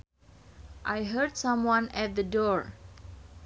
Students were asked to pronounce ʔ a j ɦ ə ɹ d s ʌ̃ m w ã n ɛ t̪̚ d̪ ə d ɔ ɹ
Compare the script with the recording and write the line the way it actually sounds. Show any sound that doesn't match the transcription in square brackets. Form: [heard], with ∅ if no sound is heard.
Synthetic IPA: ʔ a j ɦ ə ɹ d s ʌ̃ m w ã n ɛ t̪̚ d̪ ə d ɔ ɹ